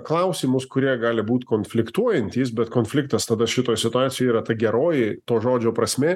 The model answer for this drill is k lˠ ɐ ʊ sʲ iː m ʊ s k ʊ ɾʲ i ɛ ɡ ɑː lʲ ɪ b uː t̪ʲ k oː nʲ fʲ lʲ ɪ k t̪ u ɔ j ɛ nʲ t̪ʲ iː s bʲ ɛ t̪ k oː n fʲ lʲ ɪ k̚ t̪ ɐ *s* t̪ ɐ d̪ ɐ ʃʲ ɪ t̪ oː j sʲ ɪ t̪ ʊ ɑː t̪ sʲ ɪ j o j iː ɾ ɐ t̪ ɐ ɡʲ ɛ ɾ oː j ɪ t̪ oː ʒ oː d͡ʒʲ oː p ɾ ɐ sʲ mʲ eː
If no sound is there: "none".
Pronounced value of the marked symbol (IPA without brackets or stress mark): s